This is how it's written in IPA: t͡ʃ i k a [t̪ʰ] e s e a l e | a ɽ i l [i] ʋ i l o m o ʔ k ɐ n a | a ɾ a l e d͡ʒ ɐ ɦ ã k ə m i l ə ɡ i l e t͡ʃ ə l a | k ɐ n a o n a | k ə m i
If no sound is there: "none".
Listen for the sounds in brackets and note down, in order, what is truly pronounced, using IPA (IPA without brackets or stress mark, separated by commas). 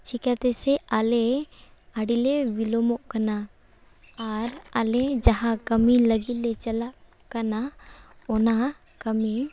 t̪, e